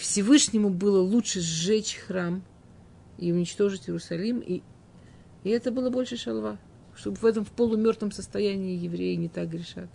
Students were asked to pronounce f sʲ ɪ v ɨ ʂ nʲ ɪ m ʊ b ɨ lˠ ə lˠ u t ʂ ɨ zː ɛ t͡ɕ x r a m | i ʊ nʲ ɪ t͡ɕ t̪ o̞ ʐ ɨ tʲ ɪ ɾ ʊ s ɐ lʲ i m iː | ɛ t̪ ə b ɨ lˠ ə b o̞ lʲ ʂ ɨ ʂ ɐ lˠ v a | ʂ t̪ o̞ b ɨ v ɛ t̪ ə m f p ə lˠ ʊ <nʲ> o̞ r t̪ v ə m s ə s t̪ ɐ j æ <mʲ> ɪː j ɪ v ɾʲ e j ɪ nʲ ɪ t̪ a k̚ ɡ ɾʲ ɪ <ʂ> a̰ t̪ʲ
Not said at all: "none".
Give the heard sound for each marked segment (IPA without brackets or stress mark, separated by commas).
mʲ, nʲ, ʂ